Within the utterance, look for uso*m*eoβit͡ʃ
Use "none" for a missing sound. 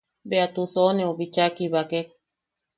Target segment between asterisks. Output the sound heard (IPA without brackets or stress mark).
n